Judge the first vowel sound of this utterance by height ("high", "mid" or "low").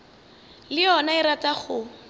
high